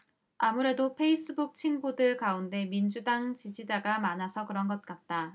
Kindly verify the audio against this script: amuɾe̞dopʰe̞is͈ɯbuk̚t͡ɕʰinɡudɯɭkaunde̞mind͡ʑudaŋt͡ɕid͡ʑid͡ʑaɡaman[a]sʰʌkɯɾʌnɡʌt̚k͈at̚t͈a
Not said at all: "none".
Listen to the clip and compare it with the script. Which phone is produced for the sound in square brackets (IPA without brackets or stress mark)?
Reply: a